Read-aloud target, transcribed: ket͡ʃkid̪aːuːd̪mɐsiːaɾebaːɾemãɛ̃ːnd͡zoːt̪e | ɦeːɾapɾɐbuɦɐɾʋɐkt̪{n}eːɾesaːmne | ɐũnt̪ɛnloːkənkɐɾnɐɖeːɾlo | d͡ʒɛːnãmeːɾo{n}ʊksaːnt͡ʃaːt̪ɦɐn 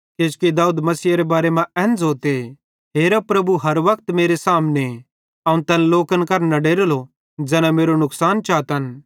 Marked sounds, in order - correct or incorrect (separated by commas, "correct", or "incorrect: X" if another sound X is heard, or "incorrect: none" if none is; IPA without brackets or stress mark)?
incorrect: m, correct